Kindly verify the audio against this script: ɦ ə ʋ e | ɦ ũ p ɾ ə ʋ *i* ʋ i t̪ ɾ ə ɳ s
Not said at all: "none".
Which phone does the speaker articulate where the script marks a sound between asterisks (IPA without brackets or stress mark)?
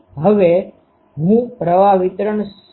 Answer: a